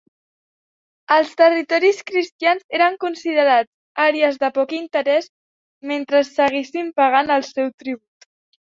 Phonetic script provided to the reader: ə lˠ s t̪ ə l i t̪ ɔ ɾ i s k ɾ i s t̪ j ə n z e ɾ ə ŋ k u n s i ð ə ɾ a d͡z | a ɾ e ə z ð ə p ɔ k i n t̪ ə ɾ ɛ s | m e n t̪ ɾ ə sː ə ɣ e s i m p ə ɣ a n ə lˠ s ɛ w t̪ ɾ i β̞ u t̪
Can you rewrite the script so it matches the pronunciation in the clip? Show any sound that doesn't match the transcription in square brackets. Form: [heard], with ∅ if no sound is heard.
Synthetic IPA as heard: ə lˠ s t̪ ə [r] i t̪ ɔ ɾ i s k ɾ i s t̪ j [a] n z e ɾ ə ŋ k u n s i ð ə ɾ a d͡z | a ɾ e ə z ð ə p ɔ k i n t̪ ə ɾ ɛ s | m e n t̪ ɾ ə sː ə ɣ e s i m p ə ɣ a n ə lˠ s ɛ w t̪ ɾ i β̞ u t̪